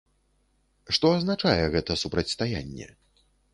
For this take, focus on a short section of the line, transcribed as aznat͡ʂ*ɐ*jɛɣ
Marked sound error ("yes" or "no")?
yes